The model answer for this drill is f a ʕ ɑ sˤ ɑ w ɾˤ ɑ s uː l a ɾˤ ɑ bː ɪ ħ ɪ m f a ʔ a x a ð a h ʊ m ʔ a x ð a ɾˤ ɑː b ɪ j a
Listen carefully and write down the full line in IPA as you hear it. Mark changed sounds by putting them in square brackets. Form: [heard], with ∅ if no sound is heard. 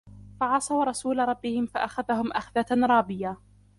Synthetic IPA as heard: f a ʕ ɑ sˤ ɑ w ɾˤ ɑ s uː l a ɾˤ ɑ bː ɪ [h] ɪ m f a ʔ a x a ð a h ʊ m ʔ a x ð a ɾˤ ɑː b ɪ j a